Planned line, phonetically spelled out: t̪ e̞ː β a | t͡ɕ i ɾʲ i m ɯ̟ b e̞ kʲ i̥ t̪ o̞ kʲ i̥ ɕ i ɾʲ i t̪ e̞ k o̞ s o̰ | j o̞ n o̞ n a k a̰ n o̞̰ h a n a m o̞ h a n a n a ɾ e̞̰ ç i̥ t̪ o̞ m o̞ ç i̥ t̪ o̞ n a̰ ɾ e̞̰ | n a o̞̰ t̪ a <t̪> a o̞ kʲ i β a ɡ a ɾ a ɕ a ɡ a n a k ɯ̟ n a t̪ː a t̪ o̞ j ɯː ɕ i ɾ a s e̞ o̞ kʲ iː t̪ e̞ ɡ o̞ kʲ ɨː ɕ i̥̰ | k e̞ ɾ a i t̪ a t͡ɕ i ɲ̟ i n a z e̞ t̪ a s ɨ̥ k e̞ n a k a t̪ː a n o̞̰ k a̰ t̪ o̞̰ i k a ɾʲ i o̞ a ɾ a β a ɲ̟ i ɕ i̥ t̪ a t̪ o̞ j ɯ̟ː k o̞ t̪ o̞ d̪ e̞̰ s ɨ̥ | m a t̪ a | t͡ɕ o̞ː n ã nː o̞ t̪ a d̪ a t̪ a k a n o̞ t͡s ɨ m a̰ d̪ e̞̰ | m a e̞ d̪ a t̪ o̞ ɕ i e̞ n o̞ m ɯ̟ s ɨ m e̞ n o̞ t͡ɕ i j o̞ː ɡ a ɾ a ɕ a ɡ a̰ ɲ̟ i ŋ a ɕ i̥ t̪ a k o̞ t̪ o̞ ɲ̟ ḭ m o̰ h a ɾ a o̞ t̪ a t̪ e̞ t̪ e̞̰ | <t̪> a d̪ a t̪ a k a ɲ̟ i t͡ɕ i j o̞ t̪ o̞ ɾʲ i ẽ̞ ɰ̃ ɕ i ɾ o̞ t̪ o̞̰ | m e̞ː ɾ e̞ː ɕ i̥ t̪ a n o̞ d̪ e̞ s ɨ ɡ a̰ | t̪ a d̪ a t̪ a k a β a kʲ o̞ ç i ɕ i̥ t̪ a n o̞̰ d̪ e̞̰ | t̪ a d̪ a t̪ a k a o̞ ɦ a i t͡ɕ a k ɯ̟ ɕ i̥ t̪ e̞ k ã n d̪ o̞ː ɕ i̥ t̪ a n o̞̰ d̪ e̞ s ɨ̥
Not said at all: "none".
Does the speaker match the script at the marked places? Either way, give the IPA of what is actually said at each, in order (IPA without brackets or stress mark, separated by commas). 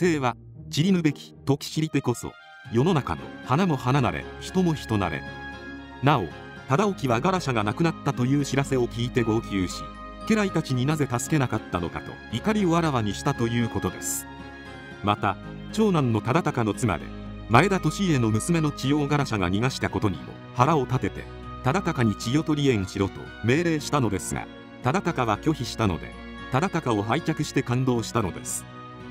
d̪, t̪